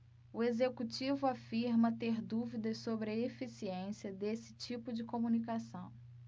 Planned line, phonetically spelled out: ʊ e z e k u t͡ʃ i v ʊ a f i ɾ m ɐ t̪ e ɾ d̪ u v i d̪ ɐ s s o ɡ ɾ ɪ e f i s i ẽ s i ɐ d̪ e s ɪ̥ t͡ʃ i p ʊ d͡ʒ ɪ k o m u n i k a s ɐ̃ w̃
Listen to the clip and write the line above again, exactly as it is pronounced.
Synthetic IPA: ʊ e z e k u t͡ʃ i v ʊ a f i ɾ m ɐ t̪ e ɾ d̪ u v i d̪ ɐ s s o b ɾ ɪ e f i s i ẽ s i ɐ d̪ e s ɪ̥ t͡ʃ i p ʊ d͡ʒ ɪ k o m u n i k a s ɐ̃ w̃